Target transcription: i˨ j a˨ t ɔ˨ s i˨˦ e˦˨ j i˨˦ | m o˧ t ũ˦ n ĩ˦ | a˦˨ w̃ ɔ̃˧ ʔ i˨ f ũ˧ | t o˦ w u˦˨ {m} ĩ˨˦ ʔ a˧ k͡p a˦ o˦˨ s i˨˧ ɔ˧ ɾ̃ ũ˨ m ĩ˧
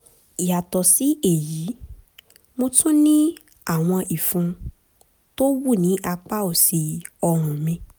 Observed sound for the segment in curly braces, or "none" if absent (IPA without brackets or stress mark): n